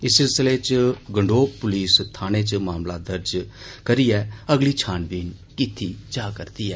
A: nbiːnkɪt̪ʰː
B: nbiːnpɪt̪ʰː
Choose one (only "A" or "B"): A